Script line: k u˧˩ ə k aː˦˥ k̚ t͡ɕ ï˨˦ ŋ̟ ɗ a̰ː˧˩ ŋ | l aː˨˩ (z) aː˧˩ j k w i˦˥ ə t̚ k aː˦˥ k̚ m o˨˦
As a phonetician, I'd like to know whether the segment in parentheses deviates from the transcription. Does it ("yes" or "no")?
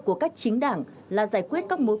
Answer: no